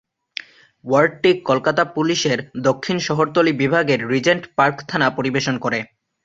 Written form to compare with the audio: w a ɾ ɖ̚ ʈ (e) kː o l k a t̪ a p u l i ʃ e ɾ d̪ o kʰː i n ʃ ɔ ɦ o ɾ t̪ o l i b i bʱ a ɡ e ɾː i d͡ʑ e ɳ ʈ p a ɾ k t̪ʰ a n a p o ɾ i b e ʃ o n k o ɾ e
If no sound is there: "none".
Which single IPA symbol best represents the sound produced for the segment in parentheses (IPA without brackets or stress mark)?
i